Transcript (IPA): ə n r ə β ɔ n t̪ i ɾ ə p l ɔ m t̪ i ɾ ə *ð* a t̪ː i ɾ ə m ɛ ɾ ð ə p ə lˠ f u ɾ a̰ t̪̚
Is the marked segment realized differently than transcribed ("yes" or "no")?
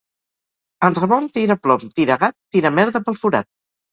yes